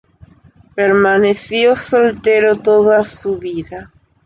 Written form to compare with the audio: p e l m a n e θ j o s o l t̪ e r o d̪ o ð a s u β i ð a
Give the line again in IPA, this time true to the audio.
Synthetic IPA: p e ɾ m a n e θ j o s o l t̪ e ɾ o t̪ o ð a s u β i ð a